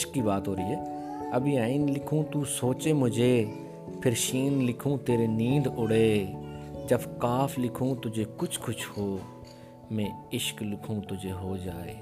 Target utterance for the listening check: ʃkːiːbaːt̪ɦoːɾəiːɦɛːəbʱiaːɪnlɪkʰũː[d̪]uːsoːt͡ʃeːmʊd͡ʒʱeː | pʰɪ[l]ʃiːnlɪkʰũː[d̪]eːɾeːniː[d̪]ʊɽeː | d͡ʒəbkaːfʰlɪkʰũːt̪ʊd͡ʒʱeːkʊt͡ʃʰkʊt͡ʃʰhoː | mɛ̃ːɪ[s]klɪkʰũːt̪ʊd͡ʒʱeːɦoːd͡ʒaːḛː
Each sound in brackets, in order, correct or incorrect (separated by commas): incorrect, incorrect, incorrect, correct, incorrect